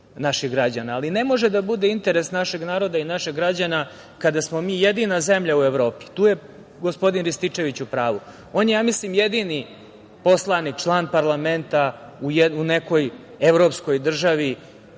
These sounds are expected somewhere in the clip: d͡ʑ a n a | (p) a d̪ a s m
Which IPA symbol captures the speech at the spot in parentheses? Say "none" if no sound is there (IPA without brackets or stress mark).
k